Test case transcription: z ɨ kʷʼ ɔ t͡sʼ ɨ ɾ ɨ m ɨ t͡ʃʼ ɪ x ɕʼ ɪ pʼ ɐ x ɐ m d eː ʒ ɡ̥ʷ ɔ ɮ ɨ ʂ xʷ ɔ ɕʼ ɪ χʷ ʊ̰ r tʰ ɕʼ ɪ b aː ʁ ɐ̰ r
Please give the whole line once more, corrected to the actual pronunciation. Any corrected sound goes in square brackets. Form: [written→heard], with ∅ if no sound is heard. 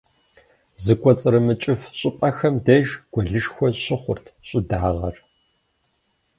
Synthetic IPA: z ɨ kʷʼ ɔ t͡sʼ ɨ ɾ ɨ m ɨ t͡ʃʼ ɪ [x→f] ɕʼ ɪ pʼ ɐ x ɐ m d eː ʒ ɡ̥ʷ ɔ ɮ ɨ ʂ xʷ ɔ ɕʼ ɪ χʷ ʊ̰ r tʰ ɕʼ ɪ [b→d] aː ʁ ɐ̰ r